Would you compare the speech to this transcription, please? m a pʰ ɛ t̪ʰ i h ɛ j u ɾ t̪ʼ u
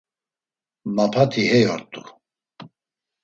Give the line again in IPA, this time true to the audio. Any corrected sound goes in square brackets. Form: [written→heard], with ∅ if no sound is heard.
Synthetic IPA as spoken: m a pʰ [ɛ→a] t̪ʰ i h ɛ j [u→ɔ] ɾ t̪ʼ u